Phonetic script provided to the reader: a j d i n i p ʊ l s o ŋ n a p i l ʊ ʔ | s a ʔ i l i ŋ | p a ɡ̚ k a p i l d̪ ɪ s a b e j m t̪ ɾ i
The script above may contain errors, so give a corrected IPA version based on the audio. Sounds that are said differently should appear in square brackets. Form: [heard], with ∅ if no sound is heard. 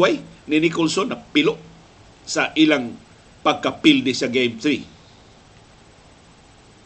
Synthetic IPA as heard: a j [n] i n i [k] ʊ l s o [∅] n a p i l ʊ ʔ | s a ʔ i l [a] ŋ | p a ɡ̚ k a p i l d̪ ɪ s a [ɡ] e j m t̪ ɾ i